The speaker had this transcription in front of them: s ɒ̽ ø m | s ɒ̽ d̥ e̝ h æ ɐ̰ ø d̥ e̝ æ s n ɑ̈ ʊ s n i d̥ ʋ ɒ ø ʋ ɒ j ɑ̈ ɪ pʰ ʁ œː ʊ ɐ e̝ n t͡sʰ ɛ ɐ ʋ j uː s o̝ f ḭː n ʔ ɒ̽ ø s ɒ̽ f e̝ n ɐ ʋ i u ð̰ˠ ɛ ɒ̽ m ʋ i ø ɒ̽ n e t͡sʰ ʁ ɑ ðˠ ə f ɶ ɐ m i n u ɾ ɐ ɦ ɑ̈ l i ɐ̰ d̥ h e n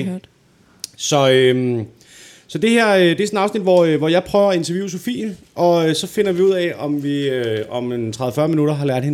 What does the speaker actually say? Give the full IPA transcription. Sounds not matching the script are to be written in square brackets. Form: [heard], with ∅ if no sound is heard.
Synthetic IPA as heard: s ɒ̽ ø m | s ɒ̽ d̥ e̝ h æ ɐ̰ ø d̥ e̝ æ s n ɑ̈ ʊ s n i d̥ ʋ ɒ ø ʋ ɒ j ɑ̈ ɪ pʰ ʁ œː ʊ ɐ e̝ n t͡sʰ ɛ ɐ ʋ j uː s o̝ f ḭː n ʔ ɒ̽ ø s ɒ̽ f e̝ n ɐ ʋ i u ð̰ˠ ɛ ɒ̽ m ʋ i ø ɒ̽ [m] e t͡sʰ ʁ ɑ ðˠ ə f ɶ ɐ m i n u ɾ ɐ ɦ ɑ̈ l [æ] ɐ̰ d̥ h e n